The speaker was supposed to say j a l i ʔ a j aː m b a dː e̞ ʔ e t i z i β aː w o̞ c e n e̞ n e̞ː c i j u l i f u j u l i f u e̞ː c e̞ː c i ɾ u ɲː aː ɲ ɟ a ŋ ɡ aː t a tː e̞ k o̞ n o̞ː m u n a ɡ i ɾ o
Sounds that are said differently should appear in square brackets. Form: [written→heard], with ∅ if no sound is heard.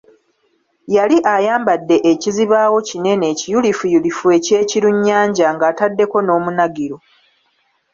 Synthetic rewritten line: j a l i ʔ a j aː m b a dː e̞ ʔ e [t→c] i z i β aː w o̞ c [e→i] n e̞ n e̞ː c i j u l i f u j u l i f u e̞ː c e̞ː c i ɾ u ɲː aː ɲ ɟ a ŋ ɡ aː t a [tː→dː] e̞ k o̞ n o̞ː m u n a ɡ i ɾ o